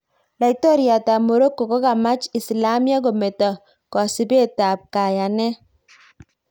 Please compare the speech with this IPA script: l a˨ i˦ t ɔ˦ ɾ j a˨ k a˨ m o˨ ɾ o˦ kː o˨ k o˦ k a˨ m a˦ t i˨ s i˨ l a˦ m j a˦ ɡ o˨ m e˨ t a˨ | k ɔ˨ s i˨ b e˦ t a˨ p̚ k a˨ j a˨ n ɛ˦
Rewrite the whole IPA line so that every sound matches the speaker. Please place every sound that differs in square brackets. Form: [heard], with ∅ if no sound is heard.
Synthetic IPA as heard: l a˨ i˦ t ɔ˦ ɾ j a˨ [t] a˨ m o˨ ɾ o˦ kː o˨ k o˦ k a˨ m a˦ [t͡ʃ] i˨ s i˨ l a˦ m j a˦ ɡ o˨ m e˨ t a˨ | k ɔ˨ s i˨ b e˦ t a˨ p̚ k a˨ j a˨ n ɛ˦

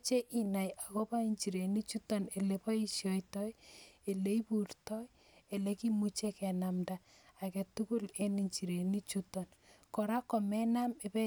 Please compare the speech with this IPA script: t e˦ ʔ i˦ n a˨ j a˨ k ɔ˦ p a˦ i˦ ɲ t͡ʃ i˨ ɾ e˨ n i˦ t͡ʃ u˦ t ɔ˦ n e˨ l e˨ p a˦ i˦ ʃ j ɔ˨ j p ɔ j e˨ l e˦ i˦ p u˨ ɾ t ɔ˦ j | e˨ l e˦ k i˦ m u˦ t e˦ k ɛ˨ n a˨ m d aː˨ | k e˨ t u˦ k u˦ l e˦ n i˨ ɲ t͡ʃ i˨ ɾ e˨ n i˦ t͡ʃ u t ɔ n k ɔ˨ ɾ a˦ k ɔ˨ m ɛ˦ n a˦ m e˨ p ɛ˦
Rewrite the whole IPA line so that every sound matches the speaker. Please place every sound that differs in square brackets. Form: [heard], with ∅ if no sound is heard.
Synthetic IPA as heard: [t͡ʃ] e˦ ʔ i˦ n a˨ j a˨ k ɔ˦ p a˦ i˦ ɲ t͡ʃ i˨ ɾ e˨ n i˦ t͡ʃ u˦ t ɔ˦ n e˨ l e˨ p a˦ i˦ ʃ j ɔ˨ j [t] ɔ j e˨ l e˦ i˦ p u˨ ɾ t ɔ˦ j | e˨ l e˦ k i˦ m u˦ [t͡ʃ] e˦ k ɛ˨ n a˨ m d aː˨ | k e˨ t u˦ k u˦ l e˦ n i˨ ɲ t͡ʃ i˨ ɾ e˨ n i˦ t͡ʃ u t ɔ n k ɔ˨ ɾ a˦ k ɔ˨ m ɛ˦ n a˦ m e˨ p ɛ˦

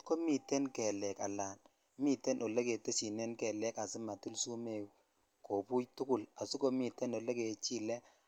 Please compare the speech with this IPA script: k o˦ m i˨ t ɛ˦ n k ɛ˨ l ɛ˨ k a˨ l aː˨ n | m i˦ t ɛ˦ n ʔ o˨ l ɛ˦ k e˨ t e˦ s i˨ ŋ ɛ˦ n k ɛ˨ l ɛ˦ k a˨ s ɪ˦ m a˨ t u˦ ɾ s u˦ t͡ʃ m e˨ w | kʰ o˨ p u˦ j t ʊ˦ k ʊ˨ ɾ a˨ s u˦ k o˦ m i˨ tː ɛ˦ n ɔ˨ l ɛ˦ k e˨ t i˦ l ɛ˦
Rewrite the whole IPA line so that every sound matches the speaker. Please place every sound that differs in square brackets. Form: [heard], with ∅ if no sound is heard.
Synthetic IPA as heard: k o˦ m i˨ t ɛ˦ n k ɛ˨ l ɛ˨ k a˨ l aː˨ n | m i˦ t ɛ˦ n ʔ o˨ l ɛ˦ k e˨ t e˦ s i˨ [n] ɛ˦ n k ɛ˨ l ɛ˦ k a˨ s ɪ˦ m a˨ t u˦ [l] s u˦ [∅] m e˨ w | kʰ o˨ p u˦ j t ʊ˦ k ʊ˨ [l] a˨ s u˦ k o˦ m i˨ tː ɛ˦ n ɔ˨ l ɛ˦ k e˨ [t͡ʃ] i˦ l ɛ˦

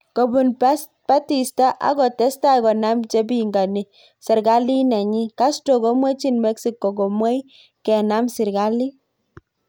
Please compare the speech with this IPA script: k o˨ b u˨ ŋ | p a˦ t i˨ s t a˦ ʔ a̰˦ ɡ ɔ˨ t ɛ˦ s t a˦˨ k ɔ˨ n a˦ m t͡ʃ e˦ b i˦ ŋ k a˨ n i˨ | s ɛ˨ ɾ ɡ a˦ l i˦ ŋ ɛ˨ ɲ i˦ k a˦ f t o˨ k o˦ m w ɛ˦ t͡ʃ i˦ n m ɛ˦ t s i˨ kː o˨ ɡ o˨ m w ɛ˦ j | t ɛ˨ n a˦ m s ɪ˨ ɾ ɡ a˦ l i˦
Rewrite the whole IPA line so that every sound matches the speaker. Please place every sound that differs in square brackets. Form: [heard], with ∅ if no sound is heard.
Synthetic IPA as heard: k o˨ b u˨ [n] | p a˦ t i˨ s t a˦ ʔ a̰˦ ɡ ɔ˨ t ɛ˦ s t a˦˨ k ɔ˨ n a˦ m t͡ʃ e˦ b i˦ ŋ [ɡ] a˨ n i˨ | s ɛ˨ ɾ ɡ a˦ l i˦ [n] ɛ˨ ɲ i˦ k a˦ [s] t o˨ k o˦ m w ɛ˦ t͡ʃ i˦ n m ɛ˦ [k] s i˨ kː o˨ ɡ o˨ m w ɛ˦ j | [k] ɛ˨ n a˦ m s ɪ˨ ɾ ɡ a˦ l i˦

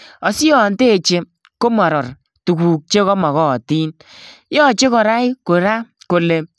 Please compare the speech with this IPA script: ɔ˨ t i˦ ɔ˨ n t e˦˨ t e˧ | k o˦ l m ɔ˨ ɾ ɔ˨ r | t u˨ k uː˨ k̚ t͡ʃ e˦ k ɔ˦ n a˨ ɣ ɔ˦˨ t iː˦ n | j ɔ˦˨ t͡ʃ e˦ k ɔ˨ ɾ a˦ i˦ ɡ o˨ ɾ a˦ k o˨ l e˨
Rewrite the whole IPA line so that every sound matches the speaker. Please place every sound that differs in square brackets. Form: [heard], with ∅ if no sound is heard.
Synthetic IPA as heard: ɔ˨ [s] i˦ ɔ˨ n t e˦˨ [t͡ʃ] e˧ | k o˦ [∅] m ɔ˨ ɾ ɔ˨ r | t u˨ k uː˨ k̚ t͡ʃ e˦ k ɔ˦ [m] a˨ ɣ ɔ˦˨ t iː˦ n | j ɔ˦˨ t͡ʃ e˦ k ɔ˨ ɾ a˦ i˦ [k] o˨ ɾ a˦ k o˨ l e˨

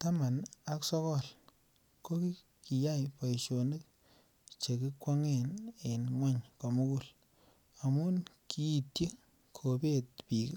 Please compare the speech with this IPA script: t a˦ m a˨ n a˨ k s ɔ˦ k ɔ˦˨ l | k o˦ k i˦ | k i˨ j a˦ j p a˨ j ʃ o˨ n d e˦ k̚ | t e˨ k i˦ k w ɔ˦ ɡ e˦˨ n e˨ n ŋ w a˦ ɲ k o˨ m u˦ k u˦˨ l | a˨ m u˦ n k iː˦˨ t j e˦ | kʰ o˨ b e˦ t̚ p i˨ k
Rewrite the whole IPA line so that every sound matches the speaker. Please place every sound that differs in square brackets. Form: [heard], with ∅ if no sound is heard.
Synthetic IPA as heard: t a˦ m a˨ n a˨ k s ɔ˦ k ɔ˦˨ l | k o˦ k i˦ | k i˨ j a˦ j p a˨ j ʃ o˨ n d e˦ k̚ | [t͡ʃ] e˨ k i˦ k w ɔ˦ [ŋ] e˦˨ n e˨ n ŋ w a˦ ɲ k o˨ m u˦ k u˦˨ l | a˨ m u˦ n k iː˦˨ t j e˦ | kʰ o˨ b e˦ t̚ p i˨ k

